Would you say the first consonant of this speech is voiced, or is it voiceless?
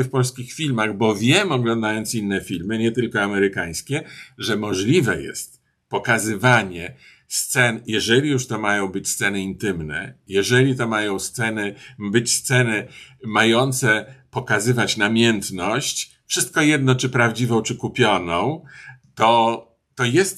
voiceless